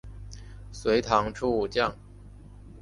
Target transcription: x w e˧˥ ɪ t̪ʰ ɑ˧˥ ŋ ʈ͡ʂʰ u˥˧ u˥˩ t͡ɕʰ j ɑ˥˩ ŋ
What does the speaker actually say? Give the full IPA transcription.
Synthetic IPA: s w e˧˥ ɪ t̪ʰ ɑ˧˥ ŋ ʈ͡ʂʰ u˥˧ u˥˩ t͡ɕ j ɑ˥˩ ŋ